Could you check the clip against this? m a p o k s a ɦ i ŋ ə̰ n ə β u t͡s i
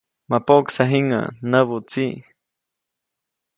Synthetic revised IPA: m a p o k s a ɦ i ŋ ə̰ n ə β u t͡s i